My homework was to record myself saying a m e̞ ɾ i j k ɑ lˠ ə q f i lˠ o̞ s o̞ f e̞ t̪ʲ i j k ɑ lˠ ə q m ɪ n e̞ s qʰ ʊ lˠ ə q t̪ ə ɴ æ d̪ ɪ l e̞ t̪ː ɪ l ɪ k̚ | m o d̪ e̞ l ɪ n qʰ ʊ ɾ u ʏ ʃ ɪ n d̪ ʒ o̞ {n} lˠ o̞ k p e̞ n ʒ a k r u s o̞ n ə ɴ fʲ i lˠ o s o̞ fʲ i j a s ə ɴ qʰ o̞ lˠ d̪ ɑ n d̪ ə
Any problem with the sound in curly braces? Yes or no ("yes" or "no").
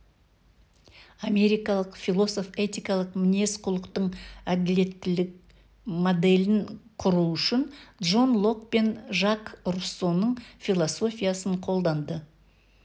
no